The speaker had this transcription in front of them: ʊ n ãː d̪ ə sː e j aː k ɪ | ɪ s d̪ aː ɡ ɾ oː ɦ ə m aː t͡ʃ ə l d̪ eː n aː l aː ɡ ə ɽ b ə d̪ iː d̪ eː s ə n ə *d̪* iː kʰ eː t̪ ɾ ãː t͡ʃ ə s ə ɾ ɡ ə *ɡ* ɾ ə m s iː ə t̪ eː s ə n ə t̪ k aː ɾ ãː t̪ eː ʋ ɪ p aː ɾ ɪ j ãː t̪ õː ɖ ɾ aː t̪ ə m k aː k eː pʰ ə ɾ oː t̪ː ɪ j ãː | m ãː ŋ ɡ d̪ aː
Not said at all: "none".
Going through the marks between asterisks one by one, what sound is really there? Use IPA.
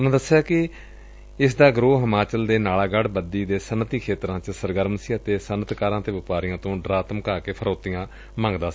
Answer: t̪, none

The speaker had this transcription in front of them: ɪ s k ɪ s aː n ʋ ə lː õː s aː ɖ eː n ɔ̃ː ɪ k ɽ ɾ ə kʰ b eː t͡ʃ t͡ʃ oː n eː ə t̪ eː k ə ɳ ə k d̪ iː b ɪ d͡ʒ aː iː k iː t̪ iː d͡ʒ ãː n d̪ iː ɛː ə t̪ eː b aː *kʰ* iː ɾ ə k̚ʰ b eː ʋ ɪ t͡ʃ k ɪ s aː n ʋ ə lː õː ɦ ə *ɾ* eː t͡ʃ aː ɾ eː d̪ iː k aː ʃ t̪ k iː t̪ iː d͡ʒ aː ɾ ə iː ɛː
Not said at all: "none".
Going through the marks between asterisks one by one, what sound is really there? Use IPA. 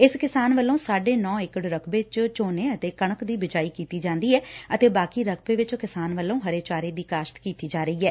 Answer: k, ɾ

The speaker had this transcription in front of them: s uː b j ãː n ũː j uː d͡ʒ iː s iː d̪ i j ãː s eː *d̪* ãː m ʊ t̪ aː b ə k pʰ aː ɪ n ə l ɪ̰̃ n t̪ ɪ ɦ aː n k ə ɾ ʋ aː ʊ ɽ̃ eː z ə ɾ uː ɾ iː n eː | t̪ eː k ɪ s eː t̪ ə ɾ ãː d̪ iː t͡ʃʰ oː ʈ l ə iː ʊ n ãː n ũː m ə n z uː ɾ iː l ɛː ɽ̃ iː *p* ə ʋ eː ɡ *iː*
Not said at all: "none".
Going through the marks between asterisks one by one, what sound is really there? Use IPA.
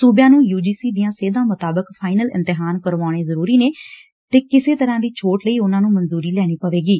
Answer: d̪, p, iː

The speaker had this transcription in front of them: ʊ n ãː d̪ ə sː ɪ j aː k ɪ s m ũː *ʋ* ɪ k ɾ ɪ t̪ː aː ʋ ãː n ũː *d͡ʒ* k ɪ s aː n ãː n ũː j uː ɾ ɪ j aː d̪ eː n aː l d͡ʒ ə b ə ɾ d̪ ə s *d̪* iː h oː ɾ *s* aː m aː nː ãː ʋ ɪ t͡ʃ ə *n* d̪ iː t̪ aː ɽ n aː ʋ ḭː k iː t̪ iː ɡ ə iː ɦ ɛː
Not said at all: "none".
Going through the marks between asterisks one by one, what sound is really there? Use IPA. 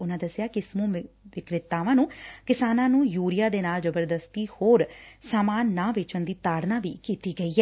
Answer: ʋ, none, t̪, s, n

